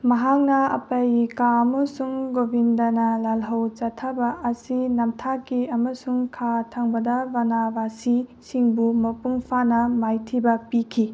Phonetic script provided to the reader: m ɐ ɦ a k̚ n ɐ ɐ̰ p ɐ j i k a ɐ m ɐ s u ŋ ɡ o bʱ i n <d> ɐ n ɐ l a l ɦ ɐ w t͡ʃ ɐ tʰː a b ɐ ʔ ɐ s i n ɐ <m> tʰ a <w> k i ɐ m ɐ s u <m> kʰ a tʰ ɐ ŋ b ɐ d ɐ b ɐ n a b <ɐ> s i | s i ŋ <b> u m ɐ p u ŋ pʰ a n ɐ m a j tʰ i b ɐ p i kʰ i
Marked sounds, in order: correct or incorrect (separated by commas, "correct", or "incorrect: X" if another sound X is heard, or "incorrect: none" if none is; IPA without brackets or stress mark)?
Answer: correct, correct, incorrect: none, incorrect: ŋ, incorrect: a, correct